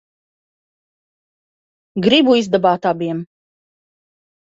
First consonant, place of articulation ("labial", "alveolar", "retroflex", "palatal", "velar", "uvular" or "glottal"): velar